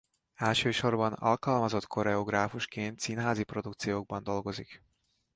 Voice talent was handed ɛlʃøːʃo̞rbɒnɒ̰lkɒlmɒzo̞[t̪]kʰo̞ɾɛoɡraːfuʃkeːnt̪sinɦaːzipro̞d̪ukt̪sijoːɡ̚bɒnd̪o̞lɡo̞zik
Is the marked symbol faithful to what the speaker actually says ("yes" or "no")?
yes